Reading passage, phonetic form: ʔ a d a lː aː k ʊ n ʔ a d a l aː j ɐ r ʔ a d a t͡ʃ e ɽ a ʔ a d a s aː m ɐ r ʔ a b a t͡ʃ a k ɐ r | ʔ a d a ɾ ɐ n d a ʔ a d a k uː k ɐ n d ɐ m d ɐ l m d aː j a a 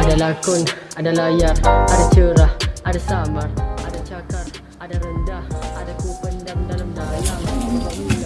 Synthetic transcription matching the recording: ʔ a d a l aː k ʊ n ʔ a d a l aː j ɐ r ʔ a d a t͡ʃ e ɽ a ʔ a d a s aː m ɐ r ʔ a d a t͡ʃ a k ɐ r | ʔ a d a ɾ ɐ n d a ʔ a d a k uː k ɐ n d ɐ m d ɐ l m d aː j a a